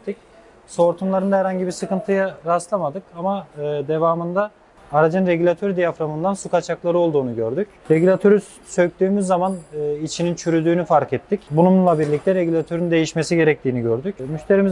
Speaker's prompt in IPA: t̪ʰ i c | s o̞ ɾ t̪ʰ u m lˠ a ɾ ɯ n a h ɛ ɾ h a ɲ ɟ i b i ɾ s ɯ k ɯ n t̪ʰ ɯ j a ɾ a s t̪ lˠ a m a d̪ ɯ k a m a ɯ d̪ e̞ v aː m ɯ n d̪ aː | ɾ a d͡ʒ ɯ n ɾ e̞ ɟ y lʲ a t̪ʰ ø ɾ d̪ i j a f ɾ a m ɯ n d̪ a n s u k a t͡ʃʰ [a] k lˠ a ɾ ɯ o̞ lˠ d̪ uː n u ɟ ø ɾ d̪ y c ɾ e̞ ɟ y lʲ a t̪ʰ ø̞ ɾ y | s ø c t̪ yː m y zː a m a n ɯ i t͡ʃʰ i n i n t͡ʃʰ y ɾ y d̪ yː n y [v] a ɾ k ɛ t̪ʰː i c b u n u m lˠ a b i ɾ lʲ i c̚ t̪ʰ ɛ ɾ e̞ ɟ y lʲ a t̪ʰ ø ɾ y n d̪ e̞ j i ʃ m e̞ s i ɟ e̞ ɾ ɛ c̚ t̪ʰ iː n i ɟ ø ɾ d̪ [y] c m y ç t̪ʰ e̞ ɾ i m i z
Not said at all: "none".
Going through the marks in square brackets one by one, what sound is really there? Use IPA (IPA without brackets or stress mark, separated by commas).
a, f, y